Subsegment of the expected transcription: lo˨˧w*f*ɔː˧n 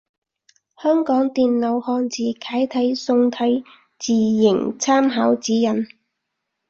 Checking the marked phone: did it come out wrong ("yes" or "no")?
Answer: yes